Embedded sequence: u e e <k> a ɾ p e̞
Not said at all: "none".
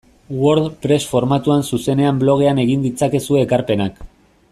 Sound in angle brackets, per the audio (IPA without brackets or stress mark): k